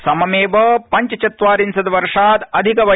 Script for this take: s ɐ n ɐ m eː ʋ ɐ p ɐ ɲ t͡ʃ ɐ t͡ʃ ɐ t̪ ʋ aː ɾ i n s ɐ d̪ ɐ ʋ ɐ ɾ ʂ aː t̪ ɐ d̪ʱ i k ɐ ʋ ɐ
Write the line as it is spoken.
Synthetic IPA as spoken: s ɐ m ɐ m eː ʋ ɐ p ɐ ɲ t͡ʃ ɐ t͡ʃ ɐ t̪ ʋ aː ɾ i n s ɐ d̪ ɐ ʋ ɐ ɾ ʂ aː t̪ ɐ d̪ʱ i k ɐ ʋ ɐ